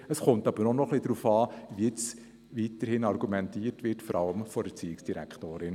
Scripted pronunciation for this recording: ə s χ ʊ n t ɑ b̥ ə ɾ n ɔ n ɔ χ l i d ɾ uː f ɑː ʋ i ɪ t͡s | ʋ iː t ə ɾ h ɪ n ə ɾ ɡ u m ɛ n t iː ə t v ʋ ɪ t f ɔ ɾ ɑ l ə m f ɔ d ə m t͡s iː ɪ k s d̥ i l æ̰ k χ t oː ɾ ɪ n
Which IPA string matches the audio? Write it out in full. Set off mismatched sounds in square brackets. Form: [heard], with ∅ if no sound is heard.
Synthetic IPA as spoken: ə s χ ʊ n t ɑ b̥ ə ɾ n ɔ n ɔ χ l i d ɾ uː f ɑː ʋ i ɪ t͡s | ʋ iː t ə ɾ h ɪ n [ɑ] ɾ ɡ u m ɛ n t iː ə t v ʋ ɪ t f ɔ ɾ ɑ l ə m f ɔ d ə [∅] t͡s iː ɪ k s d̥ i [ɾ] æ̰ k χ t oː ɾ ɪ n